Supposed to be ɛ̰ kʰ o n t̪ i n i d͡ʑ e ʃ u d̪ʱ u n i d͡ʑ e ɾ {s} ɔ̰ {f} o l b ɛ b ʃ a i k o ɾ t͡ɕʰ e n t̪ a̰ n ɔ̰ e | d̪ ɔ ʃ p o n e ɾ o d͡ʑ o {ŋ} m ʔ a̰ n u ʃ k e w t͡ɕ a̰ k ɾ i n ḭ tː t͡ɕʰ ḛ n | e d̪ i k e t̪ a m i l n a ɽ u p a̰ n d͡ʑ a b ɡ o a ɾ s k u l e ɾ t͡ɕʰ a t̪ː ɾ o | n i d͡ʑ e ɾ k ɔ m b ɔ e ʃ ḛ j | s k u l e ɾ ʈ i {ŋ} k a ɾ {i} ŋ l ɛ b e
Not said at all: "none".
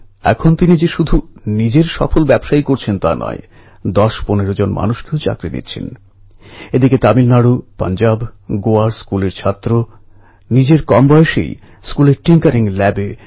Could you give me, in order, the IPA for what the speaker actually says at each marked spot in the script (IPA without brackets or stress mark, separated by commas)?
ʃ, f, n, ŋ, i